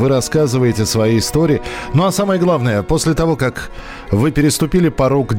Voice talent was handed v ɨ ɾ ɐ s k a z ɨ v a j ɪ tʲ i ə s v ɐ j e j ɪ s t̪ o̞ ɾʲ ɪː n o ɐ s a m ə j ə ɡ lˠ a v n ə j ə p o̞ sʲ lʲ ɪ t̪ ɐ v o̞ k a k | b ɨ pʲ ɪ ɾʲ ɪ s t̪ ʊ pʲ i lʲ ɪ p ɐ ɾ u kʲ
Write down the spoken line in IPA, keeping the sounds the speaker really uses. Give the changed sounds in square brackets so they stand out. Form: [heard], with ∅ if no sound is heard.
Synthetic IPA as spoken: v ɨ ɾ ɐ s k a z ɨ v [ə] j ɪ tʲ [ɪ] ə s v ɐ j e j ɪ s t̪ o̞ ɾʲ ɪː n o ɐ s a m ə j ə ɡ lˠ a v n ə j ə p o̞ sʲ lʲ ɪ t̪ ɐ v o̞ k a k | [v] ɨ pʲ ɪ ɾʲ ɪ s t̪ ʊ pʲ i lʲ ɪ p ɐ ɾ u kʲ